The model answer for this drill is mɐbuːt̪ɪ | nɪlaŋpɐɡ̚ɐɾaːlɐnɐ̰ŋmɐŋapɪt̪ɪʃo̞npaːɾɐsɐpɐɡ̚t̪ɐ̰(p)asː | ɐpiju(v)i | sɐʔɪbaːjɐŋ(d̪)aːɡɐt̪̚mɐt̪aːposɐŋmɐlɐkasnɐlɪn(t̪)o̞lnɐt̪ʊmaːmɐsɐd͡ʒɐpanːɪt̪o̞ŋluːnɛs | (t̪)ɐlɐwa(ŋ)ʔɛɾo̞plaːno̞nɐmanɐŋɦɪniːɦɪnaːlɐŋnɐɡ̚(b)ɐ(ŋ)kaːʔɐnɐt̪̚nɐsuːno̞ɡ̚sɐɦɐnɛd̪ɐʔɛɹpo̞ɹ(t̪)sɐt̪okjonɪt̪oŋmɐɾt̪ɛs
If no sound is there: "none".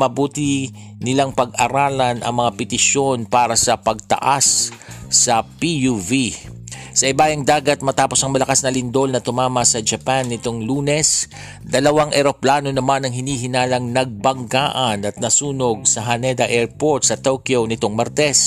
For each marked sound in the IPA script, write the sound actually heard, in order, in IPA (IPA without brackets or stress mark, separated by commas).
ʔ, v, d̪, d̪, d̪, ŋ, b, ŋ, t̪